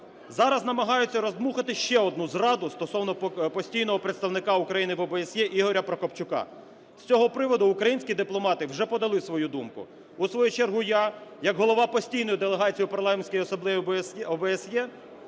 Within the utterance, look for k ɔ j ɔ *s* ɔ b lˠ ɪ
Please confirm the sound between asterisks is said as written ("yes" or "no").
yes